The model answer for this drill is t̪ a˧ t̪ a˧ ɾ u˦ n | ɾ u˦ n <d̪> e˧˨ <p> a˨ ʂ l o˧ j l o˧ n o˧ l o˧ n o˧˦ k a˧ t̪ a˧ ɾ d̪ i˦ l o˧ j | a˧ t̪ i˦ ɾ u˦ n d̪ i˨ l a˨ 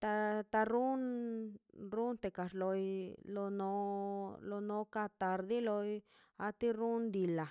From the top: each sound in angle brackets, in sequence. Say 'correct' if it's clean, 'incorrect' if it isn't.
incorrect, incorrect

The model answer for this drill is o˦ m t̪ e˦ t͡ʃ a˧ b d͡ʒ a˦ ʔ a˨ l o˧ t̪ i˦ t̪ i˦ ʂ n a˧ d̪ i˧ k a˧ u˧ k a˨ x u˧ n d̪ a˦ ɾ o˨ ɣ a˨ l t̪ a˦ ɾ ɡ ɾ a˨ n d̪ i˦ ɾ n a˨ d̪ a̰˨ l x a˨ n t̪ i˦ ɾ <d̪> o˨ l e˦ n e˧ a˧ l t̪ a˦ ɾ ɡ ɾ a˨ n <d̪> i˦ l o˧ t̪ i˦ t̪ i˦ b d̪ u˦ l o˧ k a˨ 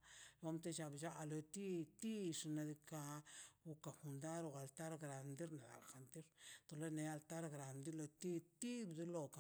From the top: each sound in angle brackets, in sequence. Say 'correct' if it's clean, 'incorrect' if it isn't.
incorrect, correct

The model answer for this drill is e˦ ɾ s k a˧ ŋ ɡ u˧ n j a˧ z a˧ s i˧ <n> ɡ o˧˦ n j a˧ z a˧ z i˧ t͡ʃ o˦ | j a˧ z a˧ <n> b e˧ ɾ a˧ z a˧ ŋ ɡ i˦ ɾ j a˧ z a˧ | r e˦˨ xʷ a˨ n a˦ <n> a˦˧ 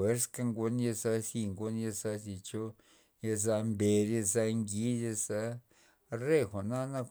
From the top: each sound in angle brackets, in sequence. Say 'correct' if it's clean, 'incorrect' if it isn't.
incorrect, incorrect, correct

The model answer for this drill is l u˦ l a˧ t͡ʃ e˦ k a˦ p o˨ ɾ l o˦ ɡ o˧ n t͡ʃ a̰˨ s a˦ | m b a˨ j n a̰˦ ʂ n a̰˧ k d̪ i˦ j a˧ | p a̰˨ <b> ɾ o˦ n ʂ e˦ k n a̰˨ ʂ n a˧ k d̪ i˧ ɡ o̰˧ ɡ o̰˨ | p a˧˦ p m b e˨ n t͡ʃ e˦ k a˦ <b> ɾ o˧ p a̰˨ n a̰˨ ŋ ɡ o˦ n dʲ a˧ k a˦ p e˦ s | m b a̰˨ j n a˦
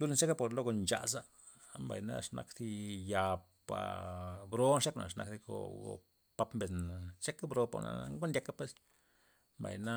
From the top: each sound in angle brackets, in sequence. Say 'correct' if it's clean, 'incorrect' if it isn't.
correct, correct

